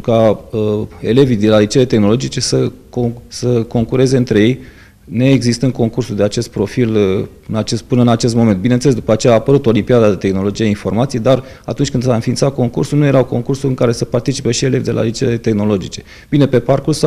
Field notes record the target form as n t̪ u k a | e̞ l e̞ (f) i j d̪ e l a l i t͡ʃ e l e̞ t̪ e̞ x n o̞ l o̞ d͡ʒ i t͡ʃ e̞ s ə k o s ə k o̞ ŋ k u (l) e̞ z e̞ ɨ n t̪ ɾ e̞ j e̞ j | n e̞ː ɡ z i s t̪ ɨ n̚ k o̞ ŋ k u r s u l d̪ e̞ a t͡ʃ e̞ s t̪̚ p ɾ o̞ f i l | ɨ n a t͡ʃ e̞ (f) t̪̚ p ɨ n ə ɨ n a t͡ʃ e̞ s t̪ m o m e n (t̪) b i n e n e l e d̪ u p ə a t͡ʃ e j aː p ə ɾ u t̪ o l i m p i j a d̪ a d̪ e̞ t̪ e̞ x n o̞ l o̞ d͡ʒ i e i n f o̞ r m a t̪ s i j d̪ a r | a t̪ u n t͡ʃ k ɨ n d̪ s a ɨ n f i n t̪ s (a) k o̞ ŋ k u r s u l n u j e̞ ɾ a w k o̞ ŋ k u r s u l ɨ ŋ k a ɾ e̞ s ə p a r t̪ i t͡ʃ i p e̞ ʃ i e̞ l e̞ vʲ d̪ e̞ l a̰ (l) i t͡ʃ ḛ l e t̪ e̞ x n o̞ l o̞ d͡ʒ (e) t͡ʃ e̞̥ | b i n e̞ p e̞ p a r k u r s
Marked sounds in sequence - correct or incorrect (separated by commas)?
incorrect, incorrect, incorrect, correct, correct, correct, incorrect